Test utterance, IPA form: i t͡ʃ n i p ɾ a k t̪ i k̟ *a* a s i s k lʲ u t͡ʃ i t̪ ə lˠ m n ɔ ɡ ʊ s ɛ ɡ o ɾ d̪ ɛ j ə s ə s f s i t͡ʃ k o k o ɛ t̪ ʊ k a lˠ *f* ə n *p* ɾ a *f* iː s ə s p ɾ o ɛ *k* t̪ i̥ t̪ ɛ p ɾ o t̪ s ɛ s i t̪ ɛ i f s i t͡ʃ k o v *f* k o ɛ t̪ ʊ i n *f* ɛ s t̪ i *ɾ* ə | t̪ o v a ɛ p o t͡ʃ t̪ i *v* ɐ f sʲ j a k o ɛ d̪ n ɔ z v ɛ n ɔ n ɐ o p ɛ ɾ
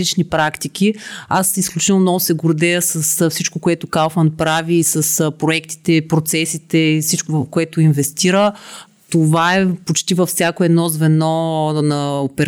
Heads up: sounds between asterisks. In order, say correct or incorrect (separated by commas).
incorrect, correct, correct, incorrect, correct, correct, incorrect, correct, correct